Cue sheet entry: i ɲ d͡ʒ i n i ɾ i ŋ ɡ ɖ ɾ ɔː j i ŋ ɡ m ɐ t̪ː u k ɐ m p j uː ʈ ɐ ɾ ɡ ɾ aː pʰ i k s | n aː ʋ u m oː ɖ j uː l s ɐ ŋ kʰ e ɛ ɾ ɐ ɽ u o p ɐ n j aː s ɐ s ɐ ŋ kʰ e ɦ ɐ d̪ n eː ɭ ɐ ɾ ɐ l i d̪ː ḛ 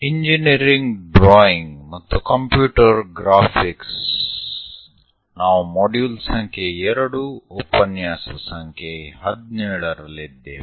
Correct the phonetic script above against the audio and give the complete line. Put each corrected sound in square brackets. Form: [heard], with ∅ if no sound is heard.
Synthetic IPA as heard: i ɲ d͡ʒ i n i ɾ i ŋ ɡ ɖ ɾ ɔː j i ŋ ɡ m ɐ t̪ː u k ɐ m p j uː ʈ ɐ ɾ ɡ ɾ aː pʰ i k s | n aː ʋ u m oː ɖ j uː l s ɐ ŋ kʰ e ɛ ɾ ɐ ɽ u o p ɐ n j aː s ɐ s ɐ ŋ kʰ e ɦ ɐ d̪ n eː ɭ ɐ ɾ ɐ l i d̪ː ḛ

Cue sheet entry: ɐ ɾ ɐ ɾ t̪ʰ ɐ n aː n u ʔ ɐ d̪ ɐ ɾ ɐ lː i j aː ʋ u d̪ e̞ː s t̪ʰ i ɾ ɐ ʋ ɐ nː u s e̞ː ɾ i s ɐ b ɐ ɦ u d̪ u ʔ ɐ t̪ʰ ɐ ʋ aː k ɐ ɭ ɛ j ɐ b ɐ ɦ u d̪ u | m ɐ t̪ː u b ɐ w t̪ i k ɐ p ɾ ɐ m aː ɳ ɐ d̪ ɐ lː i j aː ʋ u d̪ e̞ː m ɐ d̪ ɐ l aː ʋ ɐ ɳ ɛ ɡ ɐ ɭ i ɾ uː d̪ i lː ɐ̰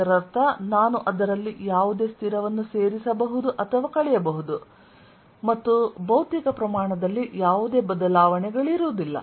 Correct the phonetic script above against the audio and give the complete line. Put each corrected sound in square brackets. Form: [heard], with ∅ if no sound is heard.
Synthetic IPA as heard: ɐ ɾ ɐ ɾ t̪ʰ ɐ n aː n u ʔ ɐ d̪ ɐ ɾ ɐ lː i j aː ʋ u d̪ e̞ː s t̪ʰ i ɾ ɐ ʋ ɐ nː u s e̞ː ɾ i s ɐ b ɐ ɦ u d̪ u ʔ ɐ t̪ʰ ɐ ʋ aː k ɐ ɭ ɛ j ɐ b ɐ ɦ u d̪ u | m ɐ t̪ː u b ɐ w t̪ i k ɐ p ɾ ɐ m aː ɳ ɐ d̪ ɐ lː i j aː ʋ u d̪ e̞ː [b] ɐ d̪ ɐ l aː ʋ ɐ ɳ ɛ ɡ ɐ ɭ i ɾ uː d̪ i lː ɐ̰

